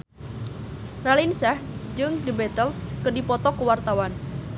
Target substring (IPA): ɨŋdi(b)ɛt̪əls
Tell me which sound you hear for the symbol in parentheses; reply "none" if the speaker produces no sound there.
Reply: b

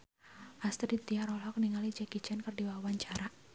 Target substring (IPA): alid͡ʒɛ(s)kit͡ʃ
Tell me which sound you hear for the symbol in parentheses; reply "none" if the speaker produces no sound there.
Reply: none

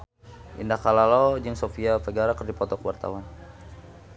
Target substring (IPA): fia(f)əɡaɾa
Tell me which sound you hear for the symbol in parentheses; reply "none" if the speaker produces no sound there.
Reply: f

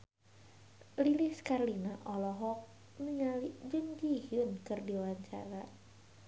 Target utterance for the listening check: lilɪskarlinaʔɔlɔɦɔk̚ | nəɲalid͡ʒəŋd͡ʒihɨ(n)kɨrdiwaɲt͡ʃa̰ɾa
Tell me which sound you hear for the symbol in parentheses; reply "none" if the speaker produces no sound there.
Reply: n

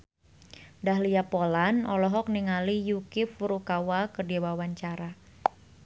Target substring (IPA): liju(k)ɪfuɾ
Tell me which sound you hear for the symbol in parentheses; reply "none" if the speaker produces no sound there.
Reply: k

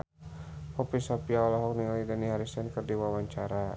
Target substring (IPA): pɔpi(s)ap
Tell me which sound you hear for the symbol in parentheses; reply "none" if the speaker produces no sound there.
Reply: s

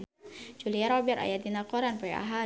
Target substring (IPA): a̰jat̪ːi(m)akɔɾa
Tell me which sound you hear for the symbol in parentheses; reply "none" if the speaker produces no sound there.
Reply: n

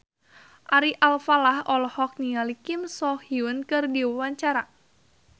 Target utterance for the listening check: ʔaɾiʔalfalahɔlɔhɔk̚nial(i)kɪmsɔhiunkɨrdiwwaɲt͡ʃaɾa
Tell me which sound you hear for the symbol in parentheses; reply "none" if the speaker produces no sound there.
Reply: i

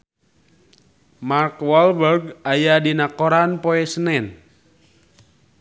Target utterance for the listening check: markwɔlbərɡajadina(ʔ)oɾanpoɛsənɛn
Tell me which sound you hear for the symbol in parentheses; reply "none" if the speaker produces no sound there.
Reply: k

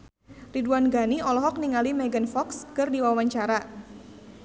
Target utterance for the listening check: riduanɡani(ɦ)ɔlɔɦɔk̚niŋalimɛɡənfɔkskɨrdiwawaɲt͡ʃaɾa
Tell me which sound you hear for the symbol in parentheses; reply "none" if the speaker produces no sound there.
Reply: none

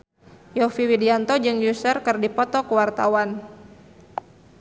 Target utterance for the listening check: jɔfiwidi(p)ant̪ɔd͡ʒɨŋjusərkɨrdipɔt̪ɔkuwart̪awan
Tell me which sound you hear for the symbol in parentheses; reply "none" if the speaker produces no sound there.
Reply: none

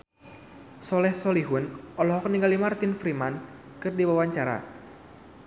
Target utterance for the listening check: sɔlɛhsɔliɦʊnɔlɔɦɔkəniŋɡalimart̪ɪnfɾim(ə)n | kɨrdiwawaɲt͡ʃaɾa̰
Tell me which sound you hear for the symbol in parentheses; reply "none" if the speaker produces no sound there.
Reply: a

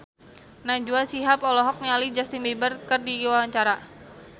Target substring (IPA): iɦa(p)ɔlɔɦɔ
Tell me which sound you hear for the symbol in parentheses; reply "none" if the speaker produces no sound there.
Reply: p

